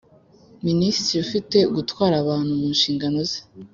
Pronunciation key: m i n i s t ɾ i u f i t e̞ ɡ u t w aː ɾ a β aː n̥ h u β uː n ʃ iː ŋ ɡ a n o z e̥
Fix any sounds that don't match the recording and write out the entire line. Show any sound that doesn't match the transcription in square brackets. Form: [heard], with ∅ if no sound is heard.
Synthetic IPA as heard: m i n i s t ɾ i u f i t e̞ ɡ u t w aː ɾ a β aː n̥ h u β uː n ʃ iː ŋ ɡ a n o z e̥